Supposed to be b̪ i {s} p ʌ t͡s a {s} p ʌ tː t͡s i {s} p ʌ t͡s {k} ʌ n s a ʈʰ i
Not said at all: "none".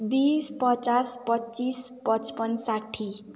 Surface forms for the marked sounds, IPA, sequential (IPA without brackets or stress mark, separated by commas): s, s, s, p